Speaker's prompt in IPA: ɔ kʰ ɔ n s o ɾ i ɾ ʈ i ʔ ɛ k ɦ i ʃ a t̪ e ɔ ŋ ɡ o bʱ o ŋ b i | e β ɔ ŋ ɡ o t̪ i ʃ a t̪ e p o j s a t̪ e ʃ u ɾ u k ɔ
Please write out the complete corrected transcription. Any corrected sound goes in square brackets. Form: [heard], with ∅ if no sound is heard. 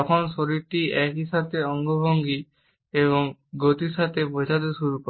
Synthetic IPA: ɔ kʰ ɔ n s o ɾ i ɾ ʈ i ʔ ɛ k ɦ i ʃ a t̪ e ɔ ŋ ɡ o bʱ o ŋ [ɡ] i | e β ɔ ŋ ɡ o t̪ i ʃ a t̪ e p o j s a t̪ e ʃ u ɾ u k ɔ

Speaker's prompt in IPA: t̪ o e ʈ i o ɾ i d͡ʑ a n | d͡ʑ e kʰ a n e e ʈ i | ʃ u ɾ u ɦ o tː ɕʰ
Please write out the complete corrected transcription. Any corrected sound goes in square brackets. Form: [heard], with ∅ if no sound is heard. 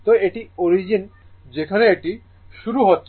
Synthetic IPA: t̪ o e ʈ i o ɾ i d͡ʑ [i] n | d͡ʑ e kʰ a n e e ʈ i | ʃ u ɾ u ɦ o tː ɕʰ

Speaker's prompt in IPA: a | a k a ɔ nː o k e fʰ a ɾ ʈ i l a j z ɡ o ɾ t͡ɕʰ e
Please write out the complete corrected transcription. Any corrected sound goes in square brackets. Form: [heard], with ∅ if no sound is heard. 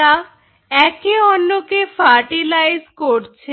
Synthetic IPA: a | [ɛ] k [e] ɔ nː o k e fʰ a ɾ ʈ i l a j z [k] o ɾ t͡ɕʰ e

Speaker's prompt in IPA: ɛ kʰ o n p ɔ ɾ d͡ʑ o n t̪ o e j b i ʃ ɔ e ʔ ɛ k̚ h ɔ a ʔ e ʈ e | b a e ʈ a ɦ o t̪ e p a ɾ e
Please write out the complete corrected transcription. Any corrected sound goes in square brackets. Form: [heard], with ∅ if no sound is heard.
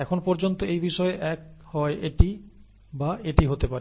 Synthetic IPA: ɛ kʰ o n p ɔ ɾ d͡ʑ o n t̪ o e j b i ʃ ɔ e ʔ ɛ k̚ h ɔ [e] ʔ e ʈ [i] | b a e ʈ [i] ɦ o t̪ e p a ɾ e

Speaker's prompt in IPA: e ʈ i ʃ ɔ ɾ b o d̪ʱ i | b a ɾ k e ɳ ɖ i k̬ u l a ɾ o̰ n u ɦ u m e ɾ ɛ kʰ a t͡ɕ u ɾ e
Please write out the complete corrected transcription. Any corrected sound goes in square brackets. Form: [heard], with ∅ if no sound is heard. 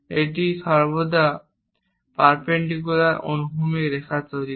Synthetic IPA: e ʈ i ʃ ɔ ɾ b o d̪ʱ [a] | [p] a ɾ [p] e ɳ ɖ i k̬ u l a ɾ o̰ n u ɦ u m e ɾ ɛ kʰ a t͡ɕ [o] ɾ [i]

